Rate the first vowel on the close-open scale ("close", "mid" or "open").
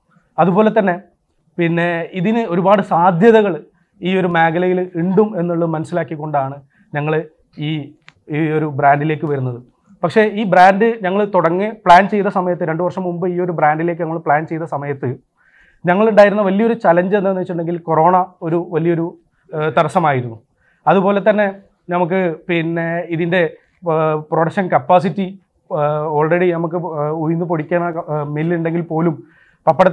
open